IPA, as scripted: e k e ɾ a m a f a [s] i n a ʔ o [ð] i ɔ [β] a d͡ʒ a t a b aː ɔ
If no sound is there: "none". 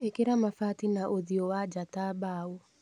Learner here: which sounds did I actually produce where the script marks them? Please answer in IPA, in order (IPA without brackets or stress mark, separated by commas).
t, ð, w